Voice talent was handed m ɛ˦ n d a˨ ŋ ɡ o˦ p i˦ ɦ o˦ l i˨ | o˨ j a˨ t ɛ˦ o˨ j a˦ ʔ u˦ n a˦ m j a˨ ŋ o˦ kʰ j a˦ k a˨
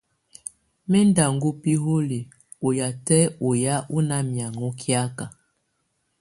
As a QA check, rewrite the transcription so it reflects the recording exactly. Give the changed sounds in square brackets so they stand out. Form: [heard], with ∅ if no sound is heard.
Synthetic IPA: m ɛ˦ n d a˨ ŋ ɡ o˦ p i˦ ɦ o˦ l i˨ | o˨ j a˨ t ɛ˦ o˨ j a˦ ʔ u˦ n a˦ m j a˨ ŋ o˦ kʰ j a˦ k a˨